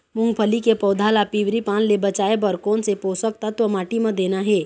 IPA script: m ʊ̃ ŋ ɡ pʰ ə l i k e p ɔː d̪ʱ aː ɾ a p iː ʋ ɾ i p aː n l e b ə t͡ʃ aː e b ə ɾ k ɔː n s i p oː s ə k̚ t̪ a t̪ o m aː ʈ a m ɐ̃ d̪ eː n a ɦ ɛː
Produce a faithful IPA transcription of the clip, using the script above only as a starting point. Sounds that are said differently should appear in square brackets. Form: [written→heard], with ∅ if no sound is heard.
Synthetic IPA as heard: m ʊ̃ ŋ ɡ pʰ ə l i k e p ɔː d̪ʱ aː [ɾ→l] a p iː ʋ ɾ i p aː n l e b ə t͡ʃ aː e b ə ɾ k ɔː n s [i→e] p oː s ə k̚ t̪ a t̪ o m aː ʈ [a→i] m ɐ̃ d̪ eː n a ɦ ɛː